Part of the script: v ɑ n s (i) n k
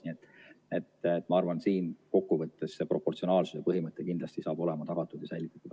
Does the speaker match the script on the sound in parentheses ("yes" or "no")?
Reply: no